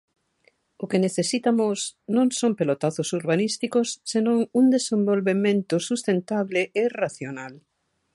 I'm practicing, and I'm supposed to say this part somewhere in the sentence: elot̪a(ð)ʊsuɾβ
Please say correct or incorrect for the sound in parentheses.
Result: incorrect